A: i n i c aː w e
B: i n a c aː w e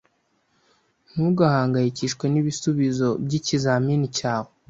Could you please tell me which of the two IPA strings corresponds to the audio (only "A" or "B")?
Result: A